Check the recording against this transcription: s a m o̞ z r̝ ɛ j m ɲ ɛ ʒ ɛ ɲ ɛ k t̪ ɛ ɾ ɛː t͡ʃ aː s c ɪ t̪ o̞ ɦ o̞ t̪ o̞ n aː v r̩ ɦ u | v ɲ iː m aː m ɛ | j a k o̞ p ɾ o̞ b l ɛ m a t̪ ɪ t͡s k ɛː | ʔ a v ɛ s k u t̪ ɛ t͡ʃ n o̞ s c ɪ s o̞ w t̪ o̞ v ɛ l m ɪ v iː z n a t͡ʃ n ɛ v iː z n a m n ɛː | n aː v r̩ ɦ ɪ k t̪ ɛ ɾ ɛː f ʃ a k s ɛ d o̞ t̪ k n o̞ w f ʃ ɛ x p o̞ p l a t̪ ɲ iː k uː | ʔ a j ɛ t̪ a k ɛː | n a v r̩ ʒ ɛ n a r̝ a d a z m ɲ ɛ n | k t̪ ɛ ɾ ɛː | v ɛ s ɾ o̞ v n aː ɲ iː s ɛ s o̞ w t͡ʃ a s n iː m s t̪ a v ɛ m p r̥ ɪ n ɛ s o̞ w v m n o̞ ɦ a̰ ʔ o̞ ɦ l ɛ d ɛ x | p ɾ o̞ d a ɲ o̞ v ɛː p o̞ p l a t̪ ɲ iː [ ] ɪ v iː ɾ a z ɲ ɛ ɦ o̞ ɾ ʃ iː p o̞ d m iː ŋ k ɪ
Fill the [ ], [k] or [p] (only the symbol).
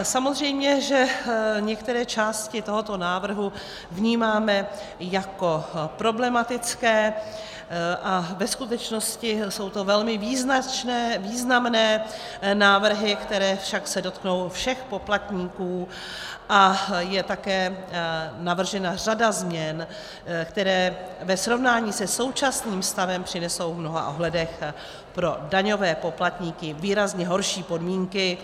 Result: k